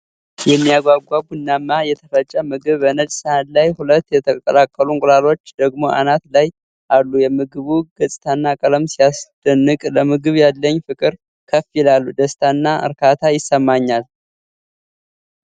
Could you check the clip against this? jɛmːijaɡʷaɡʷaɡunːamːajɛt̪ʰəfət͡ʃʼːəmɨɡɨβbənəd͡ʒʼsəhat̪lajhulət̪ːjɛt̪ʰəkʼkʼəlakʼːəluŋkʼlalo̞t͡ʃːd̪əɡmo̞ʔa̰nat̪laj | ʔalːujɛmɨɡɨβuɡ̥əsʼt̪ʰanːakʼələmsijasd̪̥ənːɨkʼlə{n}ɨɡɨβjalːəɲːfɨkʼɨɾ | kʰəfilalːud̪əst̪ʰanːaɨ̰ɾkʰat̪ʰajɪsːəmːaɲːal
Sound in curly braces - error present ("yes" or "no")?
yes